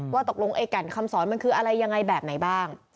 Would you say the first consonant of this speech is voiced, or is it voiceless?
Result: voiced